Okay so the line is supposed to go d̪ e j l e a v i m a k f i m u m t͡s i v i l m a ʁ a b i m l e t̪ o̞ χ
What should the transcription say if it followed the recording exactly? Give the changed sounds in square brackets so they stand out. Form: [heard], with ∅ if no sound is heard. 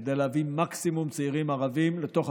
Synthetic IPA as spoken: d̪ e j l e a v i m a k [s] i m u m t͡s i [ʁ] i [∅] m a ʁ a [v] i m l e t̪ o̞ χ